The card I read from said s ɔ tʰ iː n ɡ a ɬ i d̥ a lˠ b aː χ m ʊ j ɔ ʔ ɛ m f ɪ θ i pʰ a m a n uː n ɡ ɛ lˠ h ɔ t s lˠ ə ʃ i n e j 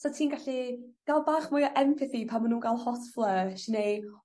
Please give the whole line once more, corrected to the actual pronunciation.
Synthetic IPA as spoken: s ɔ tʰ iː n ɡ a ɬ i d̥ a lˠ b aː χ m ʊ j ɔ ʔ ɛ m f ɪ θ i pʰ a m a n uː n ɡ a lˠ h ɔ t f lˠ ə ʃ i n e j